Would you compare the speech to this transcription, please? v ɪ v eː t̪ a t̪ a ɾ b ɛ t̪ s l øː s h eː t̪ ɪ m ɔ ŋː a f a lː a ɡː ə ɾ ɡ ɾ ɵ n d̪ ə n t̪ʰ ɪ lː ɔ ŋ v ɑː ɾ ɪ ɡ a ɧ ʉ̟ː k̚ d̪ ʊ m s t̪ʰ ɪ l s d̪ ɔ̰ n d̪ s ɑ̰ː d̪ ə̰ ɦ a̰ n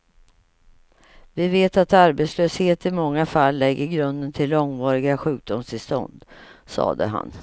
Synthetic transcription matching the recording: v ɪ v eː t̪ a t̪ a ɾ b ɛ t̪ s l øː s h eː t̪ ɪ m ɔ ŋː a f a lː ɛ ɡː ə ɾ ɡ ɾ ɵ n d̪ ə n t̪ʰ ɪ lː ɔ ŋ v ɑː ɾ ɪ ɡ a ɧ ʉ̟ː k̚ d̪ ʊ m s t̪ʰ ɪ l s t̪ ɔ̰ n d̪ s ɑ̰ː d̪ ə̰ ɦ a̰ n